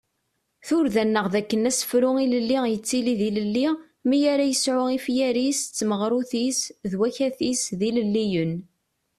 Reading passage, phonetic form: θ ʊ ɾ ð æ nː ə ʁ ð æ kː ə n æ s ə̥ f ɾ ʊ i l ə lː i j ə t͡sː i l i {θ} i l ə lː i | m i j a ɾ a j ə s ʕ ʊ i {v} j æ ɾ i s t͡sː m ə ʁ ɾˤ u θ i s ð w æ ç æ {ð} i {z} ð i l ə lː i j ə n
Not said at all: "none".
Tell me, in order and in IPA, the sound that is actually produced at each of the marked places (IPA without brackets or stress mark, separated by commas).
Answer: ð, f, θ, s